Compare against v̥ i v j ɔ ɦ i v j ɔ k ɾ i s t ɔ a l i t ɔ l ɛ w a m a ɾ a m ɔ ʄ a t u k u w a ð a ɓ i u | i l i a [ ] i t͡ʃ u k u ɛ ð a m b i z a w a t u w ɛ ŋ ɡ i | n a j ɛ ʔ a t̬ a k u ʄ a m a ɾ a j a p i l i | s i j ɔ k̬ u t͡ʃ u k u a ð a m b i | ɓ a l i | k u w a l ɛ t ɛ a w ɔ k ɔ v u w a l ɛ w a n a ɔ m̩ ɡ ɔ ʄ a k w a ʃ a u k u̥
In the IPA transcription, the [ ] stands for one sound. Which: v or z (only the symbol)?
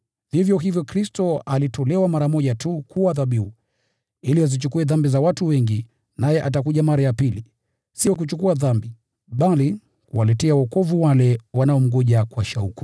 z